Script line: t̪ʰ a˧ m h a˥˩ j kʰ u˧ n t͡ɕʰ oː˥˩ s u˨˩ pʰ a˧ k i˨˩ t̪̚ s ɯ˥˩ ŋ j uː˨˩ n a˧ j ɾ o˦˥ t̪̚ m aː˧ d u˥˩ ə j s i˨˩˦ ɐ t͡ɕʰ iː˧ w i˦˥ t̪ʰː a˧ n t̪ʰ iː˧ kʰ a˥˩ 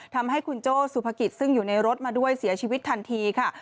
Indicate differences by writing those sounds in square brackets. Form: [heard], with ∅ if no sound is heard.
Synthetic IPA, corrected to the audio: t̪ʰ a˧ m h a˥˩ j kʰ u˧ n [t͡ɕ] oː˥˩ s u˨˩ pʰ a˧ k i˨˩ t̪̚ s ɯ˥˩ ŋ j uː˨˩ n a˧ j ɾ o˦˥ t̪̚ m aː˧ d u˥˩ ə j s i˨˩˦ ɐ t͡ɕʰ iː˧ w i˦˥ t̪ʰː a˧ n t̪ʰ iː˧ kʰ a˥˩